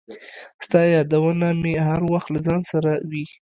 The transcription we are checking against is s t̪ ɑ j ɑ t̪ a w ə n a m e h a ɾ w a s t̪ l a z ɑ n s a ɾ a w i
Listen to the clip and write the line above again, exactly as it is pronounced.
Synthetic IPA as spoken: s t̪ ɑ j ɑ d̪ a w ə n a m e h a ɾ w a x t̪ l a z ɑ n s a ɾ a w i